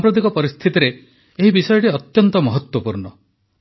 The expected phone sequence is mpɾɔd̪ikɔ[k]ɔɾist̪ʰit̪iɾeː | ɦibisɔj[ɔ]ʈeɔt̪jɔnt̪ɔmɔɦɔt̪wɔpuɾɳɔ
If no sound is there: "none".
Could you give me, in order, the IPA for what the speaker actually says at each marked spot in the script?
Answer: p, ɔ

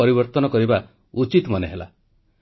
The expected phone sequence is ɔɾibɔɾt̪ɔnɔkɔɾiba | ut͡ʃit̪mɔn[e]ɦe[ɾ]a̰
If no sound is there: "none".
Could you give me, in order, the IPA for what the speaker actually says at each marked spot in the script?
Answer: e, l

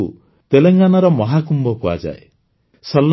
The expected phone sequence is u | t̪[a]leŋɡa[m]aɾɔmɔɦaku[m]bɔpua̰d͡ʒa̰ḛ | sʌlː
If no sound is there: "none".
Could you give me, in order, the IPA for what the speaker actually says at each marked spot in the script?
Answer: e, n, m

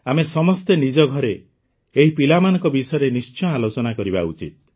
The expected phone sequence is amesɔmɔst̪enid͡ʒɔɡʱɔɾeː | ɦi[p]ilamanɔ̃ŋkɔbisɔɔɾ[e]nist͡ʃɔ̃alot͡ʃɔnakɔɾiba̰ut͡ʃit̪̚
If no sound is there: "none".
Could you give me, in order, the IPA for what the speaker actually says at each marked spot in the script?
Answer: p, e

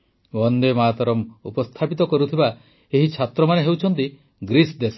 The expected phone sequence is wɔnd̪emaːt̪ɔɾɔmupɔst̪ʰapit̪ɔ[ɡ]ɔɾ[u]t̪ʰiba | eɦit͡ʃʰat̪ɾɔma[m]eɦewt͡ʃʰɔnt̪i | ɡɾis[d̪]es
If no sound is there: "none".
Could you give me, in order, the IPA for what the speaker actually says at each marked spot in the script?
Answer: k, u, n, d̪

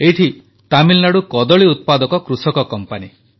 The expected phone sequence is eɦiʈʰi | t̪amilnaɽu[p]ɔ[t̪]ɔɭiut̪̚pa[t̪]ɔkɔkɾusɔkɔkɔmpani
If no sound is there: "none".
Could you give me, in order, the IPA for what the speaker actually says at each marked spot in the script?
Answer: k, d̪, d̪

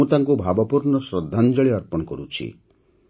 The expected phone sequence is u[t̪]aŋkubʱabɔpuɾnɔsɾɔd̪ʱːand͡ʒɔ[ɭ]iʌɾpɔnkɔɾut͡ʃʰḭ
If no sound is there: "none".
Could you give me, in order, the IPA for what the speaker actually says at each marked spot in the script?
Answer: t̪, ɭ

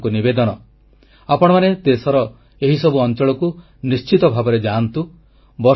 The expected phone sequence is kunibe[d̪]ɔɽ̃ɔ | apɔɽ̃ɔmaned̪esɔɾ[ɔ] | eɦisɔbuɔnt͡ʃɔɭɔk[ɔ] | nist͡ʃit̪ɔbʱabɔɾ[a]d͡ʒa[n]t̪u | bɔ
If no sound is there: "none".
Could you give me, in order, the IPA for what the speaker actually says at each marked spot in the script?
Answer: d̪, ɔ, u, e, n

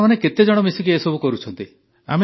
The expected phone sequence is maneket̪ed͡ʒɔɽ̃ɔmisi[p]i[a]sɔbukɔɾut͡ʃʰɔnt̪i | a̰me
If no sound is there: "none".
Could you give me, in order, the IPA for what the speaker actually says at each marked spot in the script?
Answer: k, e

